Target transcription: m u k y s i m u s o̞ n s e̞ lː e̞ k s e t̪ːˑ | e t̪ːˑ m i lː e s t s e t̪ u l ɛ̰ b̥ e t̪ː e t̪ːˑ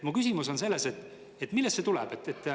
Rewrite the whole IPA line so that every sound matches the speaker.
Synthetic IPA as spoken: m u k y s i m u s o̞ n s e̞ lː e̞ s e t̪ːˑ | e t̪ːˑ m i lː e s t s e t̪ u l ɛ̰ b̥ e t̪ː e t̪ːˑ